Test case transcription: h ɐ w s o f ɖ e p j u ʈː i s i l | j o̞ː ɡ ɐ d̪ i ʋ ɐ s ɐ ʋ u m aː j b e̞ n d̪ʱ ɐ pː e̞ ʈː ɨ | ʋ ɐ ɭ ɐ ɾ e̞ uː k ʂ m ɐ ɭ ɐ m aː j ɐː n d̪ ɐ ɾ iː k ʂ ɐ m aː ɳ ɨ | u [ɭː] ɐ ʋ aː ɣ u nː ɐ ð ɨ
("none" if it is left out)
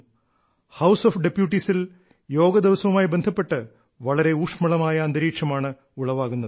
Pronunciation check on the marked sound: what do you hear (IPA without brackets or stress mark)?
ɭ